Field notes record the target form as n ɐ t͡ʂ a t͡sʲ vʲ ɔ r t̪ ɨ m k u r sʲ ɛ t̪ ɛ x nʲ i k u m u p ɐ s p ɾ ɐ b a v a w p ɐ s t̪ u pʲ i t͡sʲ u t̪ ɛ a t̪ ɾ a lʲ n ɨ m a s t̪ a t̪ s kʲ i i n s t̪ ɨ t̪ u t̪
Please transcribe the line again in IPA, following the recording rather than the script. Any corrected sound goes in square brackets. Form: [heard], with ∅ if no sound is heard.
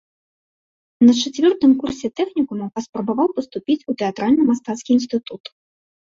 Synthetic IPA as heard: n ɐ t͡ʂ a t͡sʲ vʲ ɔ r t̪ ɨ m k u r sʲ ɛ t̪ ɛ x nʲ i k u m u p ɐ s p ɾ ɐ b a v a w p ɐ s t̪ u pʲ i t͡sʲ u t̪ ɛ a t̪ ɾ a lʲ n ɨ m a s t̪ a t̪ s kʲ i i n s t̪ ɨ t̪ u t̪

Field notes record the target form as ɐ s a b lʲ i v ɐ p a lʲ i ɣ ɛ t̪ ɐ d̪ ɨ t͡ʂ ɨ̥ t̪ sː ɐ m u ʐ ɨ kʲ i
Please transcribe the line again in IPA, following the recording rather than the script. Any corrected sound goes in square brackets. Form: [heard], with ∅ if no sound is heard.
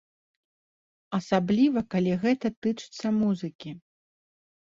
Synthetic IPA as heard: ɐ s a b lʲ i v ɐ [k] a lʲ i ɣ ɛ t̪ ɐ [t̪] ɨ t͡ʂ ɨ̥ t̪ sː ɐ m u [z] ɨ kʲ i

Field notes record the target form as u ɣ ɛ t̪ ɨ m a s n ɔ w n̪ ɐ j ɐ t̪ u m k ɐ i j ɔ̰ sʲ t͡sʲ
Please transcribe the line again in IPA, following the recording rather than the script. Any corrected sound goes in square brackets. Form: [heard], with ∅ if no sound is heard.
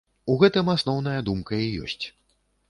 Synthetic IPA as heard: u ɣ ɛ t̪ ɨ m a s n ɔ w n̪ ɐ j ɐ [d̪] u m k ɐ i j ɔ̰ sʲ t͡sʲ

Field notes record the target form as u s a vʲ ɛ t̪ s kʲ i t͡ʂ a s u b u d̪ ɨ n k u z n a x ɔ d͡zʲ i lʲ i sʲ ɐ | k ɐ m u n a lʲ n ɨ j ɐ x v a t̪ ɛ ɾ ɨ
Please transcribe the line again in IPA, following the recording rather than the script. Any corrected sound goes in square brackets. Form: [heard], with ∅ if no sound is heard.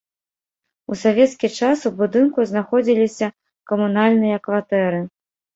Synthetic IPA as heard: u s a vʲ ɛ t̪ s kʲ i t͡ʂ a s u b u d̪ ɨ n k u z n a x ɔ d͡zʲ i lʲ i sʲ ɐ | k ɐ m u n a lʲ n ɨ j ɐ [k] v a t̪ ɛ ɾ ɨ

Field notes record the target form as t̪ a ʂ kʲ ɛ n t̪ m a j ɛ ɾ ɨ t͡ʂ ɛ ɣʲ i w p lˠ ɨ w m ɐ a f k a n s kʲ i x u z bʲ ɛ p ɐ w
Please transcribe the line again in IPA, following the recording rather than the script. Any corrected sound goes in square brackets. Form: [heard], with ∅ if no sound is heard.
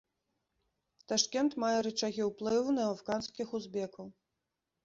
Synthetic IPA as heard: t̪ a ʂ kʲ ɛ n t̪ m a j ɛ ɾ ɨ t͡ʂ [a] ɣʲ i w p lˠ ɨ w [n] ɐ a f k a n s kʲ i x u z bʲ ɛ [k] ɐ w

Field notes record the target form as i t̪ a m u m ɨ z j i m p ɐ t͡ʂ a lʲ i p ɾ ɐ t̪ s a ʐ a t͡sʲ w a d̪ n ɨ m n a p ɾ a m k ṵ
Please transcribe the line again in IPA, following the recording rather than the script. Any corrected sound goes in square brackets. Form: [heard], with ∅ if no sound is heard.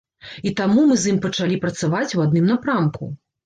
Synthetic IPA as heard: i t̪ a m u m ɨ z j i m p ɐ t͡ʂ a lʲ i p ɾ ɐ t̪ s a [v] a t͡sʲ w a d̪ n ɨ m n a p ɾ a m k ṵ

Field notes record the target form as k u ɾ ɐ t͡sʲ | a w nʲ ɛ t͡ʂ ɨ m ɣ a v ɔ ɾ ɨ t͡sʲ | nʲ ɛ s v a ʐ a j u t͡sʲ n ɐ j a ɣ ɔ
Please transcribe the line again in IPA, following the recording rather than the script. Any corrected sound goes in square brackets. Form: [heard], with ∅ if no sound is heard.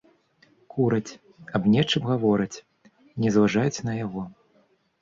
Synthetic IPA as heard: k u ɾ ɐ t͡sʲ | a [b] nʲ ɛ t͡ʂ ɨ m ɣ a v ɔ ɾ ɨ t͡sʲ | nʲ ɛ [z] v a ʐ a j u t͡sʲ n ɐ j a ɣ ɔ

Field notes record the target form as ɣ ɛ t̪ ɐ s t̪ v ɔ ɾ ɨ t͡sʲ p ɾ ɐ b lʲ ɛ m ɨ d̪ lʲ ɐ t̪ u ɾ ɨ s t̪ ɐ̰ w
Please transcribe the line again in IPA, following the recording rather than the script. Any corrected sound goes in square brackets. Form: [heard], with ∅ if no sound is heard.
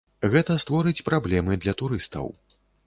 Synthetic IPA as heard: ɣ ɛ t̪ ɐ s t̪ v ɔ ɾ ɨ t͡sʲ p ɾ [a] b lʲ ɛ m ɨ d̪ lʲ ɐ t̪ u ɾ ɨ s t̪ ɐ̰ w

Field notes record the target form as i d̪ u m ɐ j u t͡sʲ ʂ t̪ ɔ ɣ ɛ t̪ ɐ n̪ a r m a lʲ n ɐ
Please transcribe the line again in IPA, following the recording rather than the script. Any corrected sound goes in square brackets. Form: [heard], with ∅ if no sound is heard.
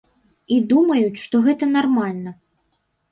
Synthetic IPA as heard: i d̪ u m ɐ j u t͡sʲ ʂ t̪ ɔ ɣ ɛ t̪ ɐ n̪ a r m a lʲ n ɐ

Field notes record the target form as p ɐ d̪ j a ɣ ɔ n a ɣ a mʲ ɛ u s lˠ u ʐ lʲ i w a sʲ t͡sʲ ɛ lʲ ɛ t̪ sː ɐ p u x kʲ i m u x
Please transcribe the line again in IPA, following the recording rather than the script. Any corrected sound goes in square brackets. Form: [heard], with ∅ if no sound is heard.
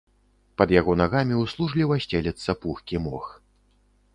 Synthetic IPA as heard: p ɐ d̪ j a ɣ ɔ n a ɣ a mʲ [i] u s lˠ u ʐ lʲ i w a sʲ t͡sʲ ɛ lʲ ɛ t̪ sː ɐ p u x kʲ i m [ɔ] x

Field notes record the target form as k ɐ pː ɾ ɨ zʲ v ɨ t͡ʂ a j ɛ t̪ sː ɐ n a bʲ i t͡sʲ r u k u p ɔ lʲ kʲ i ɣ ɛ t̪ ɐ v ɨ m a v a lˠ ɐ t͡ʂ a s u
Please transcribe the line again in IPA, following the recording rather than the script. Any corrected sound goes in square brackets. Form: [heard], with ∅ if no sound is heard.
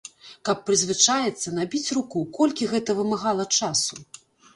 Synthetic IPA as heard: k ɐ pː ɾ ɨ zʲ v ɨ t͡ʂ a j ɛ t̪ sː ɐ n a bʲ i t͡sʲ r u k u [k] ɔ lʲ kʲ i ɣ ɛ t̪ ɐ v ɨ m a [ɣ] a lˠ ɐ t͡ʂ a s u

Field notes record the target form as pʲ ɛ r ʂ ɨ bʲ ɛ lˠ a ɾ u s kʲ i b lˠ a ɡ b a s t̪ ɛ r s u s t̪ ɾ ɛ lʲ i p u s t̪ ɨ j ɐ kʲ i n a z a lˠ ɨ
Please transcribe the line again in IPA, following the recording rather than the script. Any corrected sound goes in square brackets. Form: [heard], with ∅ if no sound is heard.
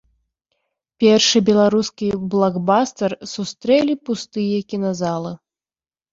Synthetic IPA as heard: pʲ ɛ r ʂ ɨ bʲ ɛ lˠ a ɾ u s kʲ i b lˠ a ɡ b a s t̪ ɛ r s u s t̪ ɾ ɛ lʲ i p u s t̪ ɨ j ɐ kʲ i n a z a lˠ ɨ

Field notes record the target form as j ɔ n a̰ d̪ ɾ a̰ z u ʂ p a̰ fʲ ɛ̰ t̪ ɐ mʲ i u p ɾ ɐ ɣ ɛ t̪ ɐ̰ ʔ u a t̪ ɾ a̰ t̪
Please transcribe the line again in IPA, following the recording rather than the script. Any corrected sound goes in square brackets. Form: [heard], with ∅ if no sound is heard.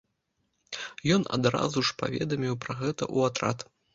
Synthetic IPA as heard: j ɔ n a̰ d̪ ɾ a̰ z u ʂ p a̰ [vʲ] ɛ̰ [d̪] ɐ mʲ i [w] p ɾ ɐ ɣ ɛ t̪ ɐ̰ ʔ u a t̪ ɾ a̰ t̪

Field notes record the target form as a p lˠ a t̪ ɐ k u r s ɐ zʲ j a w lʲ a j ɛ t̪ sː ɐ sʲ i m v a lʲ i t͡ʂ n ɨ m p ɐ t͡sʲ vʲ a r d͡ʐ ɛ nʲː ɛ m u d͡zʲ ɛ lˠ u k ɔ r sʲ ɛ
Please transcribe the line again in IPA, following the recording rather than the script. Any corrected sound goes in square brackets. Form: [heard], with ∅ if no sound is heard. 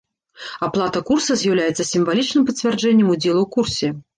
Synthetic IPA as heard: a p lˠ a t̪ ɐ k u r s ɐ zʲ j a w lʲ a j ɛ t̪ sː ɐ sʲ i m v a lʲ i t͡ʂ n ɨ m p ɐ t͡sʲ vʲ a r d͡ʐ ɛ nʲː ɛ m u d͡zʲ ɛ lˠ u k [u] r sʲ ɛ

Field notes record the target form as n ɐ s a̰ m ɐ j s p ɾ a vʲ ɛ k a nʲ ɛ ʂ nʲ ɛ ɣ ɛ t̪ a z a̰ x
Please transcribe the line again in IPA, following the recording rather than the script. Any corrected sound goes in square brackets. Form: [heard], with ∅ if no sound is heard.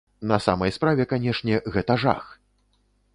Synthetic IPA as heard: n ɐ s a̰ m ɐ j s p ɾ a vʲ ɛ k a nʲ ɛ ʂ nʲ ɛ ɣ ɛ t̪ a [ʐ] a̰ x

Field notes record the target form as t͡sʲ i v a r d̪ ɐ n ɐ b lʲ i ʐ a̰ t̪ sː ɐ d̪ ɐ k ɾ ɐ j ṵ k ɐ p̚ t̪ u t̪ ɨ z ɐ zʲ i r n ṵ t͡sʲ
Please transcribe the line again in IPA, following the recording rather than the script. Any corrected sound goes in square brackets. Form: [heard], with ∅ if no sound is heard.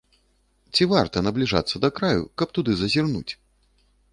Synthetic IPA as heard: t͡sʲ i v a r [t̪] ɐ n ɐ b lʲ i ʐ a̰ t̪ sː ɐ d̪ ɐ k ɾ [a] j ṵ k ɐ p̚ t̪ u [d̪] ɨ z ɐ zʲ i r n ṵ t͡sʲ

